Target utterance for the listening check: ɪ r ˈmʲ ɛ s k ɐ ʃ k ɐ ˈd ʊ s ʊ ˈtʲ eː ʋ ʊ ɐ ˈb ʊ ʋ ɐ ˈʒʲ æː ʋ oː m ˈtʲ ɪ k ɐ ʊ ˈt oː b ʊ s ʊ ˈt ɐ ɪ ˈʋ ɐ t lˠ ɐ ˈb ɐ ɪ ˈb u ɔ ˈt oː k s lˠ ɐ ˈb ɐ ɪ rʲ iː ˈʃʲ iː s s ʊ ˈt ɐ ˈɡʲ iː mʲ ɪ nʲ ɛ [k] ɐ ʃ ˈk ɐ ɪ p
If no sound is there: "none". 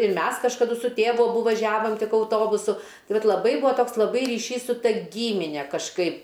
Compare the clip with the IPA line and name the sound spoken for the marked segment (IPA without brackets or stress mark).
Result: k